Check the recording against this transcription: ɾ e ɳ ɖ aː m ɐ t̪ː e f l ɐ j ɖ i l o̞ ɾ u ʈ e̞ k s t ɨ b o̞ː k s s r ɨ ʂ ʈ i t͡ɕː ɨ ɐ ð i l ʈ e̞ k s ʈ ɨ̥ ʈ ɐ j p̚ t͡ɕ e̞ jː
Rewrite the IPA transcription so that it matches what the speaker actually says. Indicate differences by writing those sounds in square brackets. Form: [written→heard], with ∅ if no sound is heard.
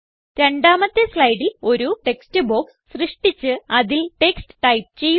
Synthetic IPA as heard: ɾ e ɳ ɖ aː m ɐ t̪ː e [f→s] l ɐ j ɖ i l o̞ ɾ u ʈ e̞ k s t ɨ b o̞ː k s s r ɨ ʂ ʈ i t͡ɕː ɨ ɐ ð i l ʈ e̞ k s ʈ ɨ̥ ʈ ɐ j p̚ t͡ɕ e̞ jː